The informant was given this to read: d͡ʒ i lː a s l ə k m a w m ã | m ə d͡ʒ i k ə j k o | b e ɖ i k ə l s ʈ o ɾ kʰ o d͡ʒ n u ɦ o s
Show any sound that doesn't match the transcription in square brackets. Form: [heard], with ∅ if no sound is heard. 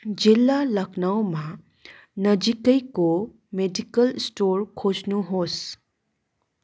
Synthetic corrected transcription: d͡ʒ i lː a [∅] l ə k [n] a w m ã | [n] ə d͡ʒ i k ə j k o | [m] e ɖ i k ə l s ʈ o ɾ kʰ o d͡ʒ n u ɦ o s